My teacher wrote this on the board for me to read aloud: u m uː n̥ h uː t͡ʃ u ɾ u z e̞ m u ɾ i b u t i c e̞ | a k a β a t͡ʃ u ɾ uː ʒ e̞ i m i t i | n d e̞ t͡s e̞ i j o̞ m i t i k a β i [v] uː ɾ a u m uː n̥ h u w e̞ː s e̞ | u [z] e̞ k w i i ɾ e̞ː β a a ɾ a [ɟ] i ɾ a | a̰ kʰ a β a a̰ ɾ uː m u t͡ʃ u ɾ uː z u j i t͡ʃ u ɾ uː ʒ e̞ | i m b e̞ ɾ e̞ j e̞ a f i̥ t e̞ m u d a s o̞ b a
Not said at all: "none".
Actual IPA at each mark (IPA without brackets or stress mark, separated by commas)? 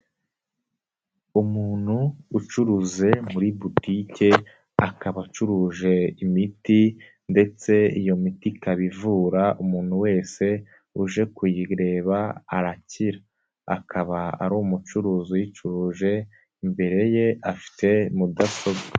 v, ʒ, c